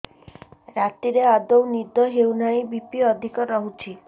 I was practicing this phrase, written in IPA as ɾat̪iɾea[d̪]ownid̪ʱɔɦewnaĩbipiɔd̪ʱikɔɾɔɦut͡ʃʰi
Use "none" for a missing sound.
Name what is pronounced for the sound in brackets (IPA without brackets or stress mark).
d̪